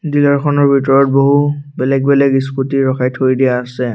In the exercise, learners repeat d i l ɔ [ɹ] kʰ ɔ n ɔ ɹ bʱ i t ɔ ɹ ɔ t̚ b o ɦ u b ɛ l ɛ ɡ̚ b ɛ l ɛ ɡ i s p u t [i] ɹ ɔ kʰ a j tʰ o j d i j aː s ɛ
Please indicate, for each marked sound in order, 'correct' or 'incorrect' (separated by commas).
correct, correct